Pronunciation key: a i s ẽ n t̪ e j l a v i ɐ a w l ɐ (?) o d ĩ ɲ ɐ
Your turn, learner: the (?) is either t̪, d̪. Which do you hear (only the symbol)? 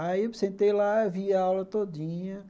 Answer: t̪